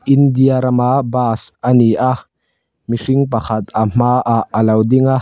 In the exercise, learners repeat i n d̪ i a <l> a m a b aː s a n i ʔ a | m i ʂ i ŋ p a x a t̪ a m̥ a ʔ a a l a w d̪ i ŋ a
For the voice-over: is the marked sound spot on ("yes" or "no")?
no